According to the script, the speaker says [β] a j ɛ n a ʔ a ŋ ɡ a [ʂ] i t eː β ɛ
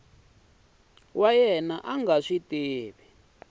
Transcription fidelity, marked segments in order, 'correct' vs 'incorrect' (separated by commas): incorrect, correct